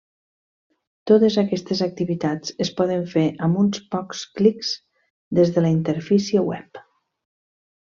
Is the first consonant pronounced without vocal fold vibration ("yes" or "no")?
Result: yes